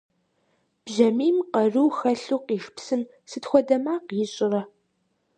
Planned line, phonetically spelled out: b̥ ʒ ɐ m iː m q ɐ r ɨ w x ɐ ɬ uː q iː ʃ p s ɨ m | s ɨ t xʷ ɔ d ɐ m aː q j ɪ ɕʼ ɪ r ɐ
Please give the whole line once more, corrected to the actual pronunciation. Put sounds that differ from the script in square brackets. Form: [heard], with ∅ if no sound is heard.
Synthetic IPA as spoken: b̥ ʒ ɐ m iː m q ɐ r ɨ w x ɐ ɬ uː q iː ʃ p s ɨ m | s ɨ t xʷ ɔ d ɐ m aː q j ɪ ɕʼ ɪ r ɐ